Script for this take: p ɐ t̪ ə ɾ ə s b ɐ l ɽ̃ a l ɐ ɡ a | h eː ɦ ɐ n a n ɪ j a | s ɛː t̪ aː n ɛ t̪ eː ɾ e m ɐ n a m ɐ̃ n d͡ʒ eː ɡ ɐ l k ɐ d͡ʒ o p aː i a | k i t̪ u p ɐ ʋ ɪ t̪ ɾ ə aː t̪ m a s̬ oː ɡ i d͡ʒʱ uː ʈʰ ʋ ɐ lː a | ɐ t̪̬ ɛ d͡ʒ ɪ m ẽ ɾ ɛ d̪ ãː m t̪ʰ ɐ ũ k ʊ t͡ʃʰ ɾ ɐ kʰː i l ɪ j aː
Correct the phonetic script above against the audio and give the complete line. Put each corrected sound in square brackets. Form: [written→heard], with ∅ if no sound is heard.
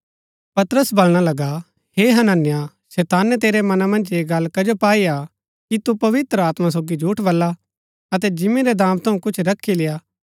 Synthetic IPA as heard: p ɐ t̪ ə ɾ ə s b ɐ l ɽ̃ a l ɐ ɡ a | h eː ɦ ɐ n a n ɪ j a | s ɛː t̪ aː n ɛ t̪ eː ɾ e m ɐ n a m ɐ̃ n d͡ʒ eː ɡ ɐ l k ɐ d͡ʒ o p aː i a | k i t̪ u p ɐ ʋ ɪ t̪ ɾ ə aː t̪ m a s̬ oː ɡ i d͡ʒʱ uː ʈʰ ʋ ɐ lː a | ɐ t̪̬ ɛ d͡ʒ ɪ m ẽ ɾ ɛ d̪ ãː m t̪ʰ ɐ ũ k ʊ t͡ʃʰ ɾ ɐ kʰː i l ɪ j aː